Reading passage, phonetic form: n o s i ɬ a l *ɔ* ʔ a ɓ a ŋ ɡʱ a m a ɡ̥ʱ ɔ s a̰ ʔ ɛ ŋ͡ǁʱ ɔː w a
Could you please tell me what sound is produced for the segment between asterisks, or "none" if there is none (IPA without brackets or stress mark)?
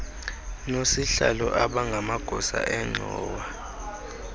ɔ